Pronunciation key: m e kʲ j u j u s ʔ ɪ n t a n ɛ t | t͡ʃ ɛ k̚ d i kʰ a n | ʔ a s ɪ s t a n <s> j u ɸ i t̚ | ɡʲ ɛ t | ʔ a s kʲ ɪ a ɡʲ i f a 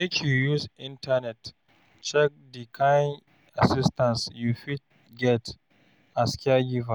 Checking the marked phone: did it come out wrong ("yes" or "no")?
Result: no